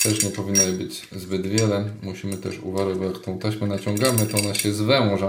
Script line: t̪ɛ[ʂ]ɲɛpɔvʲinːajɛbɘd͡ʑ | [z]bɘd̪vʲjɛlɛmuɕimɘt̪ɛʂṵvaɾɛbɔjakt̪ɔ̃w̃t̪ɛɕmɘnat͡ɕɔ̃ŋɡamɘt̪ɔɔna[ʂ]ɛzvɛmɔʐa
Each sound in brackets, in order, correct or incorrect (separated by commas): correct, correct, incorrect